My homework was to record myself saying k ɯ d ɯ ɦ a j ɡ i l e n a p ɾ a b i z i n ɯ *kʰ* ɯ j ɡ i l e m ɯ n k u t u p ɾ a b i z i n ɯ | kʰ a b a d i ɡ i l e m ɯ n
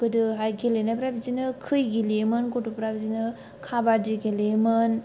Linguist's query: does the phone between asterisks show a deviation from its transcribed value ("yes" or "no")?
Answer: no